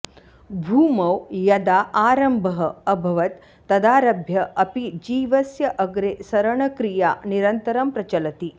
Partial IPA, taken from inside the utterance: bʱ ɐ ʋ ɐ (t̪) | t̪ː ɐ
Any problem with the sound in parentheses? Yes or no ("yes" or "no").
no